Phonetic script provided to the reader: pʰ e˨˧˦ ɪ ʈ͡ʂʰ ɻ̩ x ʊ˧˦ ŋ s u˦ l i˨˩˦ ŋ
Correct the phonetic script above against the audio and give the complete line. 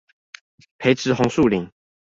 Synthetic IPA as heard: pʰ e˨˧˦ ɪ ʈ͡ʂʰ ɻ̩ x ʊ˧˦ ŋ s u˥˨ l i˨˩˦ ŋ